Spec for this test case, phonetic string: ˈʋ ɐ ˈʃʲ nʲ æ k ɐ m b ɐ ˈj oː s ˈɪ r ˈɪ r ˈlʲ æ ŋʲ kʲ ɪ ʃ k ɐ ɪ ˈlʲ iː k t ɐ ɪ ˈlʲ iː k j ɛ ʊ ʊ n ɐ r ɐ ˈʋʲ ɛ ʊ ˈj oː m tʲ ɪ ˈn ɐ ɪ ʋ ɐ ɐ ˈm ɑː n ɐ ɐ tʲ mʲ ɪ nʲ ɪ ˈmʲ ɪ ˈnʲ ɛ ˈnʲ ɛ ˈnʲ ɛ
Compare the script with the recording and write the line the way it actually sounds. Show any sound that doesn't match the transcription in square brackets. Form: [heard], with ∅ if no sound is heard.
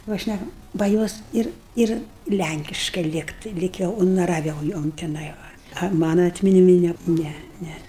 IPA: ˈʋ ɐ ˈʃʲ nʲ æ k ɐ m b ɐ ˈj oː s ˈɪ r ˈɪ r ˈlʲ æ ŋʲ kʲ ɪ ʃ k ɐ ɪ ˈlʲ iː k t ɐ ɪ ˈlʲ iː k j ɛ ʊ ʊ n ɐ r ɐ ˈʋʲ ɛ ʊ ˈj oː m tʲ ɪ ˈn ɐ ɪ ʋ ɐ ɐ ˈm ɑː n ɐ ɐ tʲ mʲ ɪ nʲ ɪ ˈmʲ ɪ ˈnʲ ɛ ˈnʲ ɛ ˈnʲ ɛ

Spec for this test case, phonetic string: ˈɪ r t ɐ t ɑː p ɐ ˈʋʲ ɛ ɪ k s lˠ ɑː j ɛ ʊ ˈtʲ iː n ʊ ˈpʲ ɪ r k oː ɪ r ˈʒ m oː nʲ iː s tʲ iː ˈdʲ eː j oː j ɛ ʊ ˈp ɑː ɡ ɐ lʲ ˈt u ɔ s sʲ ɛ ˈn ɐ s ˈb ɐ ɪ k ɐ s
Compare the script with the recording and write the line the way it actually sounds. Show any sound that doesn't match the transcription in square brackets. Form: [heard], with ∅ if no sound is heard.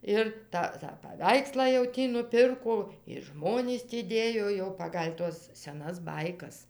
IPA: ˈɪ r t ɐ t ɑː p ɐ ˈʋʲ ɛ ɪ k s lˠ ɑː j ɛ ʊ ˈtʲ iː n ʊ ˈpʲ ɪ r k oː ɪ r ˈʒ m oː nʲ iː s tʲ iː ˈdʲ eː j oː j ɛ ʊ ˈp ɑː ɡ ɐ lʲ ˈt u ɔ s sʲ ɛ ˈn ɐ s ˈb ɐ ɪ k ɐ s

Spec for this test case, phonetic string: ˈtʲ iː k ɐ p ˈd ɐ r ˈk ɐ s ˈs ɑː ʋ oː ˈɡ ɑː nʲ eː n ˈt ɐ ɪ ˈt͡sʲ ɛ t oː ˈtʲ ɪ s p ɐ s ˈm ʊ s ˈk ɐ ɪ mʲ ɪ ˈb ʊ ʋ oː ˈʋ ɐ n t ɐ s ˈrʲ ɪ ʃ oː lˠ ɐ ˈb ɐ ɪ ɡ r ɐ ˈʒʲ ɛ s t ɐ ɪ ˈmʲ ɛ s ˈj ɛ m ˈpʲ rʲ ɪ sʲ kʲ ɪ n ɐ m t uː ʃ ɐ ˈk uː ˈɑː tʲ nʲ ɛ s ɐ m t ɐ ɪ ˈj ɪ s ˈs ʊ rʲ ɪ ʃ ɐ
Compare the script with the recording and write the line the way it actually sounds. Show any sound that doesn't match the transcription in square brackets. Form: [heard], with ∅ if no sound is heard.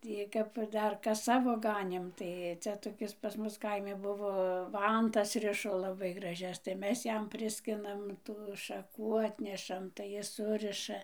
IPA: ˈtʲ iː k ɐ p ˈd ɐ r ˈk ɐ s ˈs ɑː ʋ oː ˈɡ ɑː nʲ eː [m] ˈt ɐ ɪ ˈt͡sʲ ɛ t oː [ˈkʲ] ɪ s p ɐ s ˈm ʊ s ˈk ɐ ɪ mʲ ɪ ˈb ʊ ʋ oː ˈʋ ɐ n t ɐ s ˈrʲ ɪ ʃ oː lˠ ɐ ˈb ɐ ɪ ɡ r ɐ ˈʒʲ ɛ s t ɐ ɪ ˈmʲ ɛ s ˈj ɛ m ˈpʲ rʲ ɪ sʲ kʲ ɪ n ɐ m t uː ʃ ɐ ˈk uː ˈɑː tʲ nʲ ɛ [ʃ] ɐ m t ɐ ɪ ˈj ɪ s ˈs ʊ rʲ ɪ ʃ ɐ

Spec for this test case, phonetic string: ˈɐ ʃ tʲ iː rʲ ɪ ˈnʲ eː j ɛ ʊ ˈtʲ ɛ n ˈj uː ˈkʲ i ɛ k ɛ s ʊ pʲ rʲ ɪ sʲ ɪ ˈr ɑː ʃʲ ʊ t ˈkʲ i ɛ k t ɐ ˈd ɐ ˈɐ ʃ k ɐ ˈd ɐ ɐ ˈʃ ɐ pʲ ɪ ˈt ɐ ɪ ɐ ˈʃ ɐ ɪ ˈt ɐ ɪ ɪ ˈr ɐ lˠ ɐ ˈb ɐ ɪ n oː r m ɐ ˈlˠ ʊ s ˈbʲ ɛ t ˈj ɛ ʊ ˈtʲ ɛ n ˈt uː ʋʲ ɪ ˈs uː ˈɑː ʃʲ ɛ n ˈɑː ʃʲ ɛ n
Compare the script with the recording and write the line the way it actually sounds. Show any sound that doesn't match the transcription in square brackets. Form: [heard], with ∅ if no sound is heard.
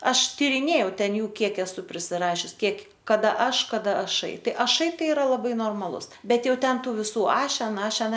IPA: ˈɐ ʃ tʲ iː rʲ ɪ ˈnʲ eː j ɛ ʊ ˈtʲ ɛ n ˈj uː ˈkʲ i ɛ k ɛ s ʊ pʲ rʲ ɪ sʲ ɪ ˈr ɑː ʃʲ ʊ [s] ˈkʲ i ɛ k [k] ɐ ˈd ɐ ˈɐ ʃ k ɐ ˈd ɐ ɐ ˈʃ ɐ [∅] ɪ ˈt ɐ ɪ ɐ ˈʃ ɐ ɪ ˈt ɐ ɪ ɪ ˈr ɐ lˠ ɐ ˈb ɐ ɪ n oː r m ɐ ˈlˠ ʊ s ˈbʲ ɛ t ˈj ɛ ʊ ˈtʲ ɛ n ˈt uː ʋʲ ɪ ˈs uː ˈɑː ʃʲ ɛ n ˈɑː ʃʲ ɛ n

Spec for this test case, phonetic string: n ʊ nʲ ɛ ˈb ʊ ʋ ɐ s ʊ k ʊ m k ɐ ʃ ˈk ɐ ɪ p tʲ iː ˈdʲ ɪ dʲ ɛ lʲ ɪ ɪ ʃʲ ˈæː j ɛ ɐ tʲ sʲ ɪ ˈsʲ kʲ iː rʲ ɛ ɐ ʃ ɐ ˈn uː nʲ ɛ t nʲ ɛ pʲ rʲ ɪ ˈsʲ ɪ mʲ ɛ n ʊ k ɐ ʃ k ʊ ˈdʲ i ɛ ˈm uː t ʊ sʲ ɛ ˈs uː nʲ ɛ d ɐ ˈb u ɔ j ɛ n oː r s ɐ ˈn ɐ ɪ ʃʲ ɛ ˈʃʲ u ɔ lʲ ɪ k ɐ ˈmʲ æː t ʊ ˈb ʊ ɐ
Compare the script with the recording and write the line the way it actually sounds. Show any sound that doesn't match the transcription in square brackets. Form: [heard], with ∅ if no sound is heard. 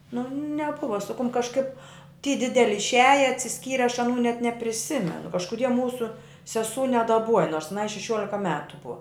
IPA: n ʊ nʲ ɛ ˈb ʊ ʋ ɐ s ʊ k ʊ m k ɐ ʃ ˈk ɐ ɪ p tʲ iː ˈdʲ ɪ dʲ ɛ lʲ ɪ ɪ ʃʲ ˈæː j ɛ ɐ tʲ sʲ ɪ ˈsʲ kʲ iː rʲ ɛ ɐ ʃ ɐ ˈn uː nʲ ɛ t nʲ ɛ pʲ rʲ ɪ ˈsʲ ɪ mʲ ɛ n ʊ k ɐ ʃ k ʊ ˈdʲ i ɛ ˈm uː [s] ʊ sʲ ɛ ˈs uː nʲ ɛ d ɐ ˈb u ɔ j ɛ n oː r s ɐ ˈn ɐ ɪ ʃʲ ɛ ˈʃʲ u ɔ lʲ ɪ k ɐ ˈmʲ æː t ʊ ˈb ʊ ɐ

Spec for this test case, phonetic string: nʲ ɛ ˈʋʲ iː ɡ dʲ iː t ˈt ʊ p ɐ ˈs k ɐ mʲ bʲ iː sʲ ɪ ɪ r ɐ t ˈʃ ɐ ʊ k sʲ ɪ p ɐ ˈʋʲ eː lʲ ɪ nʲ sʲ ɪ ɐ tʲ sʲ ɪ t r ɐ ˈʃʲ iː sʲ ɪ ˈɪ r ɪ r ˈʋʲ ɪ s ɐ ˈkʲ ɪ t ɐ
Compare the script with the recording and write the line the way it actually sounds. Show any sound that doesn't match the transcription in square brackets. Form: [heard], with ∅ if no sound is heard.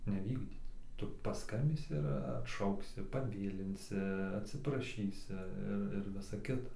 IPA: nʲ ɛ ˈʋʲ iː ɡ dʲ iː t ˈt ʊ p ɐ ˈs k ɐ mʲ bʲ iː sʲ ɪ ɪ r ɐ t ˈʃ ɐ ʊ k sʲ ɪ p ɐ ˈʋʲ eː lʲ ɪ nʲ sʲ ɪ ɐ tʲ sʲ ɪ [p] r ɐ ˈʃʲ iː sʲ ɪ ˈɪ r ɪ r ˈʋʲ ɪ s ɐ ˈkʲ ɪ t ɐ

